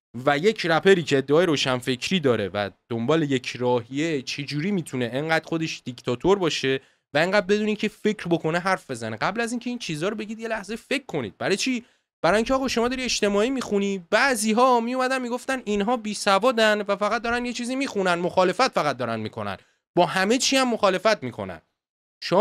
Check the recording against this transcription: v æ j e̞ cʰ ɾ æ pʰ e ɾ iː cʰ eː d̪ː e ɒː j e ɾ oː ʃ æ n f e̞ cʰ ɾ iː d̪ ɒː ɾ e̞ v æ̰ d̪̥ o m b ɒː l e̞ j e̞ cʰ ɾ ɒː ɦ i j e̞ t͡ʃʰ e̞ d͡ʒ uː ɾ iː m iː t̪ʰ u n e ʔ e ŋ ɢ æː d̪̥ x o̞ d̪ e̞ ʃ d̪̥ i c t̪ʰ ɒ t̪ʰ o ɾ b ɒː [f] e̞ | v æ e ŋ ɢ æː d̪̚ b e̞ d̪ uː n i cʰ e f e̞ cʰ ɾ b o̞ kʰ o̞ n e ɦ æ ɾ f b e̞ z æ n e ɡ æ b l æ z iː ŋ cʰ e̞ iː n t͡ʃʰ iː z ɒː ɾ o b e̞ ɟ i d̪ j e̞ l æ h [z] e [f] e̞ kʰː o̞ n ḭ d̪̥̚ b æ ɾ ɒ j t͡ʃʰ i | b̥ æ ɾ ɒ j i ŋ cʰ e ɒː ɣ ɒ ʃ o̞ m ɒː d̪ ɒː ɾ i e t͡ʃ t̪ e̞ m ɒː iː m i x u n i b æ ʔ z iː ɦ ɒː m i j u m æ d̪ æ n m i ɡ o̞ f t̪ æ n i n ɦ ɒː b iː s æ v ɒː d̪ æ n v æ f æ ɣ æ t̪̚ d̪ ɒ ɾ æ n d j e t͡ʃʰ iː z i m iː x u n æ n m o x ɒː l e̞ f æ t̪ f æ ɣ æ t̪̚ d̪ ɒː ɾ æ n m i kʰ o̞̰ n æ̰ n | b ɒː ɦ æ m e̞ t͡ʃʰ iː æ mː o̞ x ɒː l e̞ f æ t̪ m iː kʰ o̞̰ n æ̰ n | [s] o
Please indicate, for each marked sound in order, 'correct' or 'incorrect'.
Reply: incorrect: ʃ, correct, correct, incorrect: ʃ

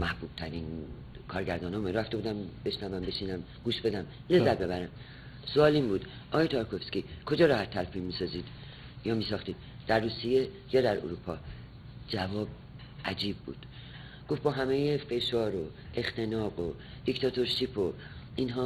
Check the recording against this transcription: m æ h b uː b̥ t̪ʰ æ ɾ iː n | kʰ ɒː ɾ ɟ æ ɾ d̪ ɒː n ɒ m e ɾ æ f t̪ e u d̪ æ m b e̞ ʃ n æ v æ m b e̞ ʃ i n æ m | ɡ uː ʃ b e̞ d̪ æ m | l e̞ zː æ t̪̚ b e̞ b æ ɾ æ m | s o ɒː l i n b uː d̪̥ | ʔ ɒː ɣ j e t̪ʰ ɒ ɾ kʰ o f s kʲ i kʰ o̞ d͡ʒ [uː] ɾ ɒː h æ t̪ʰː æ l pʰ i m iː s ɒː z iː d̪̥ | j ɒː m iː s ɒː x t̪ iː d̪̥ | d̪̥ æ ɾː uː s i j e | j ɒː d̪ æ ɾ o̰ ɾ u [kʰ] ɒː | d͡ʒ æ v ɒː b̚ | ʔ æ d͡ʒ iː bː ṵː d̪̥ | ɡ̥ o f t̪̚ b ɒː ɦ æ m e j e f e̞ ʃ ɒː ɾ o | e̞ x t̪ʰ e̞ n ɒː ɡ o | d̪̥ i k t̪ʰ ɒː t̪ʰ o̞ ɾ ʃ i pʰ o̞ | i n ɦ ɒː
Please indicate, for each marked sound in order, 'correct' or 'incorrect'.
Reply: incorrect: ɒː, incorrect: pʰ

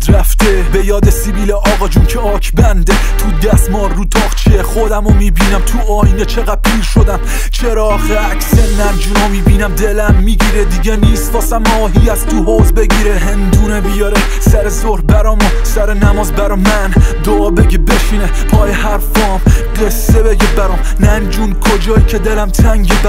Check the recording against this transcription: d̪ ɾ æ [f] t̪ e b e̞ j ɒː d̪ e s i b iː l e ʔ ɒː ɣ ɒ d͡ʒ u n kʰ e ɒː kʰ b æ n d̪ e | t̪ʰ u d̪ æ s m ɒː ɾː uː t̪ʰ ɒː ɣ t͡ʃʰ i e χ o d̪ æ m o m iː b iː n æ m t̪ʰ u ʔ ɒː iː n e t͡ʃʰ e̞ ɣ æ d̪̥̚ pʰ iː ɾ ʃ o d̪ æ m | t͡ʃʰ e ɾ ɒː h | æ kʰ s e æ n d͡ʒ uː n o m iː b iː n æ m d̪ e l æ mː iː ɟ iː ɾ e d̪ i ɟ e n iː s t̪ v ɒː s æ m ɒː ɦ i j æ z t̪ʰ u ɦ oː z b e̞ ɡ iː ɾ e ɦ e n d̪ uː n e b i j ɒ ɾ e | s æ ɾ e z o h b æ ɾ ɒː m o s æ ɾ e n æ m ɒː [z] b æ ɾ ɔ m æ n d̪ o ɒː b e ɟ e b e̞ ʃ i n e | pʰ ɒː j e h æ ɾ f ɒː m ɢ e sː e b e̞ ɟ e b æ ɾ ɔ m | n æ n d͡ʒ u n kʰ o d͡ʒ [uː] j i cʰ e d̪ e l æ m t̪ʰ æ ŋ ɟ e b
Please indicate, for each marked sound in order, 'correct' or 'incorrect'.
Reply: correct, correct, incorrect: ɒː

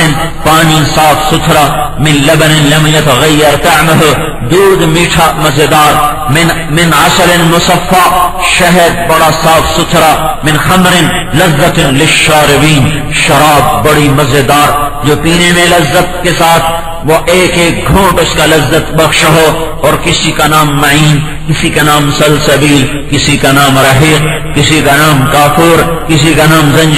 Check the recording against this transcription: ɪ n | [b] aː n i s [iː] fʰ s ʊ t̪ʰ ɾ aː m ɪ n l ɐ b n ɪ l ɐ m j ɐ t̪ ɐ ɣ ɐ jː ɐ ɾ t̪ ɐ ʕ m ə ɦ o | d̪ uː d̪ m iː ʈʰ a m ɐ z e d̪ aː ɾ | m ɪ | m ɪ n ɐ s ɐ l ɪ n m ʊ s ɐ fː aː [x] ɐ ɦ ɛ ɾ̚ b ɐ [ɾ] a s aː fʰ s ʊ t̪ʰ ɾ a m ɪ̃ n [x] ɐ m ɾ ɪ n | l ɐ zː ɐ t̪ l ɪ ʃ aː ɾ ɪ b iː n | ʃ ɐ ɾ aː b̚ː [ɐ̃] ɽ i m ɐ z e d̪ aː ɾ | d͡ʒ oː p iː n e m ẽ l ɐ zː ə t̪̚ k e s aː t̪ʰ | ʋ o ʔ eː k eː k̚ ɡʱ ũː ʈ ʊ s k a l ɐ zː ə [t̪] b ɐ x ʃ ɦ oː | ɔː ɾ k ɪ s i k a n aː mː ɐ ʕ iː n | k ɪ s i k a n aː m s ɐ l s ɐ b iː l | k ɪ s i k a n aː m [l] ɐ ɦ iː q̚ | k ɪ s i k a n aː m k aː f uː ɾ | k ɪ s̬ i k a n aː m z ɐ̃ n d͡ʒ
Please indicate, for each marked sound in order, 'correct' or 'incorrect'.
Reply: incorrect: p, incorrect: aː, incorrect: ʃ, incorrect: ɽ, correct, incorrect: ɐ, correct, incorrect: ɾ

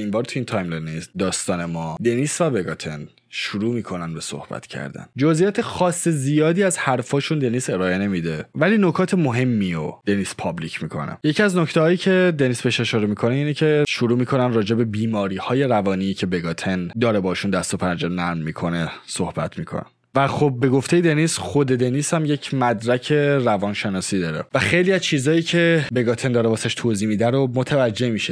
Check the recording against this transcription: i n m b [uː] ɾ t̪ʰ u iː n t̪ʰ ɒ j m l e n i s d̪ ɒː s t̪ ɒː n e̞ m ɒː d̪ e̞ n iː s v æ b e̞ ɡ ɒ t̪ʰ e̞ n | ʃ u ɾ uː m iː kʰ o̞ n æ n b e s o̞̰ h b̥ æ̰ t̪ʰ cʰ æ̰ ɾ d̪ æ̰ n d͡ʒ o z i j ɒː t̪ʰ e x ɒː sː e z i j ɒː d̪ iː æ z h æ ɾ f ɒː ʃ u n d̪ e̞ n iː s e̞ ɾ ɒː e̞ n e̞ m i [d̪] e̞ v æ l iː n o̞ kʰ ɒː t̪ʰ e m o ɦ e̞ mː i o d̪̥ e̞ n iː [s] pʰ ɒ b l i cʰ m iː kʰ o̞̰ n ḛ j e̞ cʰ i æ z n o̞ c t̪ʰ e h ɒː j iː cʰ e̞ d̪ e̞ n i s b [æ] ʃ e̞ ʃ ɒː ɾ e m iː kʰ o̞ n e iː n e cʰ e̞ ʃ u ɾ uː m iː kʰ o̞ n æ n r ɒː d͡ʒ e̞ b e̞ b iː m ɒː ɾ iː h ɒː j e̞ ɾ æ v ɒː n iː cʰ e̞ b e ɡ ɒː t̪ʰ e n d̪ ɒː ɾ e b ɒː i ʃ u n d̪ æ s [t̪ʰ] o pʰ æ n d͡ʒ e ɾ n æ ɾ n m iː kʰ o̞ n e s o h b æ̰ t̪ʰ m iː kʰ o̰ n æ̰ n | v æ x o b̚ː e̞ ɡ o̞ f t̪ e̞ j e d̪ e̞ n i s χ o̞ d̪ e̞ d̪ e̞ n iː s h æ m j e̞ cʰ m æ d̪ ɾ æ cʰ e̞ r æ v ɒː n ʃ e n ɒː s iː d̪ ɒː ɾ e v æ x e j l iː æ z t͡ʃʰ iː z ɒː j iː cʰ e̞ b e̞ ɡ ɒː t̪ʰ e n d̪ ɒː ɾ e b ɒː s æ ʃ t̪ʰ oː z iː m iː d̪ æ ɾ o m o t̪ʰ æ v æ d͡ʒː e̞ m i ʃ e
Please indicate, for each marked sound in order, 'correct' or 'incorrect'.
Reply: incorrect: ɒː, correct, correct, incorrect: e, incorrect: t̪

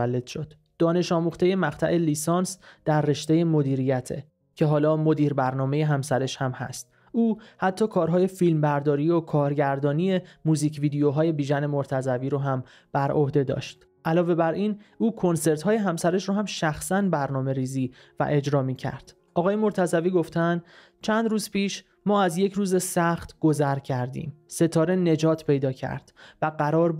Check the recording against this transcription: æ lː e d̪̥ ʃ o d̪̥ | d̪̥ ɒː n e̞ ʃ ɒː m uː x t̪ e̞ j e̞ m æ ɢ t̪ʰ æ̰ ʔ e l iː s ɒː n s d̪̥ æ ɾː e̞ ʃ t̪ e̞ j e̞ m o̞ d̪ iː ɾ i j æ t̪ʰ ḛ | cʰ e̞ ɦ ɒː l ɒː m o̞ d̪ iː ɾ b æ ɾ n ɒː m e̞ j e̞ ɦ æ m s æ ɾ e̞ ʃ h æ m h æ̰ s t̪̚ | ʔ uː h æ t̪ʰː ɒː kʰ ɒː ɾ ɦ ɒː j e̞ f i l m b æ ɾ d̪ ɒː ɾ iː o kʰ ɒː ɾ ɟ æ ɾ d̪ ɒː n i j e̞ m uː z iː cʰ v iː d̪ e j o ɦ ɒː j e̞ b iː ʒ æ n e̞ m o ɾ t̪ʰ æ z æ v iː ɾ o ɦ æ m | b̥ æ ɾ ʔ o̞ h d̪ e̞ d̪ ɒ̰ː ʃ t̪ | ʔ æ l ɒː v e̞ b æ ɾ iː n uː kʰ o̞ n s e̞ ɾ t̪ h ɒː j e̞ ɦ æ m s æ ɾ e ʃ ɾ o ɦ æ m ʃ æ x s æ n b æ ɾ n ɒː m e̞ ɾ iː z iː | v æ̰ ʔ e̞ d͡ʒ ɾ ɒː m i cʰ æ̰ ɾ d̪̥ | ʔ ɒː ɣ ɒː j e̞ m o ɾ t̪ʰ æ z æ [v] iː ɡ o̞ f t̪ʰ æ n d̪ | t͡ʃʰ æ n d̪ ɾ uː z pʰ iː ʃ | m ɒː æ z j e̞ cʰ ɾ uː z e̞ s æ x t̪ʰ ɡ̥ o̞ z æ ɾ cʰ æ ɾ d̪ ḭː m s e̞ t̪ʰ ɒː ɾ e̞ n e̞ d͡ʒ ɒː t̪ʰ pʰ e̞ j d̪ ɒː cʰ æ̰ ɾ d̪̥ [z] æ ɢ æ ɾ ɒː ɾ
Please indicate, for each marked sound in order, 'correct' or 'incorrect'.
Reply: correct, incorrect: v

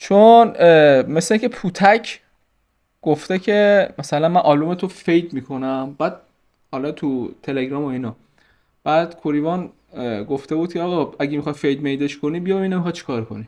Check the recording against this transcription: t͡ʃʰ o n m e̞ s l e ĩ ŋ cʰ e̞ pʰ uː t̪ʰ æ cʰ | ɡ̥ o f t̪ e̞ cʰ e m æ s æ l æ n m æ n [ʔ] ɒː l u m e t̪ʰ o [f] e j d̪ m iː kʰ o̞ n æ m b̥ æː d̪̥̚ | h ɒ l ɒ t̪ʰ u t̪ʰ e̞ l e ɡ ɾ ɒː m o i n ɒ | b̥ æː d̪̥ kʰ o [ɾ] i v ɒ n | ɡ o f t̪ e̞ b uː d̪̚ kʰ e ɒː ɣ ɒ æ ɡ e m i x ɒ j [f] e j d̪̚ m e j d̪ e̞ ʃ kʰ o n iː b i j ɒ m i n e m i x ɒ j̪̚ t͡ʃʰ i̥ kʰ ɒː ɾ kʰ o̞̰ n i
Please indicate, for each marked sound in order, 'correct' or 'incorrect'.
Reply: correct, correct, correct, correct

